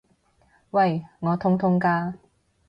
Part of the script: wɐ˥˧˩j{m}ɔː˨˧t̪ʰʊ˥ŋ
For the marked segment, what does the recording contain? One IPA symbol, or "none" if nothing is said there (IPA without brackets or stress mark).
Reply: ŋ